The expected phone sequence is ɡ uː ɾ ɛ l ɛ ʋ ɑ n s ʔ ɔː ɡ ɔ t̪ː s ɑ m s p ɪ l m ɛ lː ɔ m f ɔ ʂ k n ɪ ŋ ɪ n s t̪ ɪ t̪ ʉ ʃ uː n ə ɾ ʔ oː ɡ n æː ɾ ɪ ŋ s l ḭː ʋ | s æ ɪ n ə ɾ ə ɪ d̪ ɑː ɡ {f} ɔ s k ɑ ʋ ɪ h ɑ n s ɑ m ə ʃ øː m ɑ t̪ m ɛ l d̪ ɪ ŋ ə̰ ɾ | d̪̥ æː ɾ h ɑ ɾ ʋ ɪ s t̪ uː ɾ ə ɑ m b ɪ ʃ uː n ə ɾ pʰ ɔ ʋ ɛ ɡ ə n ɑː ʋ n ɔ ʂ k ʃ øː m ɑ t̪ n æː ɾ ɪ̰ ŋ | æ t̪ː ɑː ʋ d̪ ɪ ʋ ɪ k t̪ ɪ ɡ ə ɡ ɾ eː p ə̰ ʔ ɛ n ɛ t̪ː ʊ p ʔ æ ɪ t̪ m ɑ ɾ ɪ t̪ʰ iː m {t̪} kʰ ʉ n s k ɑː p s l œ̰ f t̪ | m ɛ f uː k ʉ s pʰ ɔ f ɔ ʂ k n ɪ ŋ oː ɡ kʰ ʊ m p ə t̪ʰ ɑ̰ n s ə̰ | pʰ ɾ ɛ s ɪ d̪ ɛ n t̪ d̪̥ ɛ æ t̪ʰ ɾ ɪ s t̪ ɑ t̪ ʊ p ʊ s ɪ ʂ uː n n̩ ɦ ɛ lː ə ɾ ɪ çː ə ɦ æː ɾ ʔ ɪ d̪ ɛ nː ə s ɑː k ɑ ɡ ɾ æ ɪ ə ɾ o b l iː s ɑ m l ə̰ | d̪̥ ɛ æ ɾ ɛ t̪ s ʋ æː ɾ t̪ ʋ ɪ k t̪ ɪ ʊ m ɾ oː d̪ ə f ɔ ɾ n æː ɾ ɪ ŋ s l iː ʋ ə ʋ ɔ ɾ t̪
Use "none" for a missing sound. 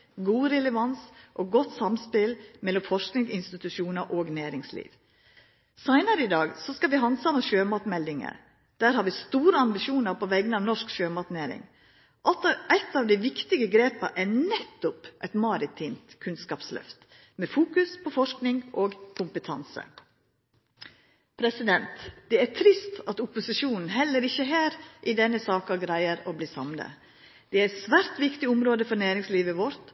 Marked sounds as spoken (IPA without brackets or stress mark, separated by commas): s, t̪